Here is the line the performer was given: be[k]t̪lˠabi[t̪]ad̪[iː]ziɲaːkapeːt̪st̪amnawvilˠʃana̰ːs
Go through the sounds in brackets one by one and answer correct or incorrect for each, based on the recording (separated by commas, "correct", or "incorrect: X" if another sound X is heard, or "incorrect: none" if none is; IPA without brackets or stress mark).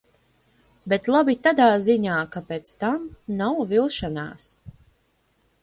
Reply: incorrect: none, correct, incorrect: aː